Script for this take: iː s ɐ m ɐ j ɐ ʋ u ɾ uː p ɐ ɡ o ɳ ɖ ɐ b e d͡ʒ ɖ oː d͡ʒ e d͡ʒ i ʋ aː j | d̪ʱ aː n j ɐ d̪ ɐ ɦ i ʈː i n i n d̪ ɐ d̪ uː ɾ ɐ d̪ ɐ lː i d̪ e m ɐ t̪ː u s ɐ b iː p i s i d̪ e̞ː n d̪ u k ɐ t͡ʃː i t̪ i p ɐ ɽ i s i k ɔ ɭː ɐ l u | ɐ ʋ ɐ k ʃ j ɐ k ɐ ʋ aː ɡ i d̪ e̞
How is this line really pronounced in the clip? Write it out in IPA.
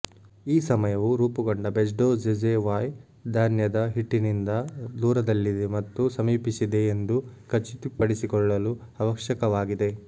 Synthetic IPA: iː s ɐ m ɐ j ɐ ʋ u ɾ uː p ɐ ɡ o ɳ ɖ ɐ b e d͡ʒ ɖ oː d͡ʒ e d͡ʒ e ʋ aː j | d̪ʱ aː n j ɐ d̪ ɐ ɦ i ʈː i n i n d̪ ɐ d̪ uː ɾ ɐ d̪ ɐ lː i d̪ e m ɐ t̪ː u s ɐ m iː p i s i d̪ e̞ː n d̪ u k ɐ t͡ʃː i t̪ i p ɐ ɽ i s i k ɔ ɭː ɐ l u | ɐ ʋ ɐ k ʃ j ɐ k ɐ ʋ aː ɡ i d̪ e̞